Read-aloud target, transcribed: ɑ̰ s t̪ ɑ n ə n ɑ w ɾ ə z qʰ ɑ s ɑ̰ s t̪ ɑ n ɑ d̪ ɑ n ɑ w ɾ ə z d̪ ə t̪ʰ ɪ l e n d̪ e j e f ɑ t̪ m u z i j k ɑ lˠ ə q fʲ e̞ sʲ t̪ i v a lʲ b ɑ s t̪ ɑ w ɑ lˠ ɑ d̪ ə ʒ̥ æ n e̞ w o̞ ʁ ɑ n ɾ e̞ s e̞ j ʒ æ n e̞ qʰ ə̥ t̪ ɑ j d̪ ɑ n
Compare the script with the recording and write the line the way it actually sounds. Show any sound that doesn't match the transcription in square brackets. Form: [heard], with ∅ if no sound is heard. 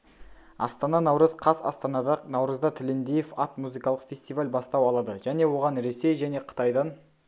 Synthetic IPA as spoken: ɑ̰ s t̪ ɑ n [ɑ] n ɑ w ɾ ə z qʰ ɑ s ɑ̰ s t̪ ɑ n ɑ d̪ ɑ n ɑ w ɾ ə z d̪ [ɑ] t̪ʰ ɪ l e n d̪ e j e f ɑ t̪ m u z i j k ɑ lˠ ə q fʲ e̞ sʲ t̪ i v a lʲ b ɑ s t̪ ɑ w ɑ lˠ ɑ d̪ ə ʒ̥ æ n e̞ w o̞ ʁ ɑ n ɾ e̞ s e̞ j ʒ æ n e̞ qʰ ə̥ t̪ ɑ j d̪ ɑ n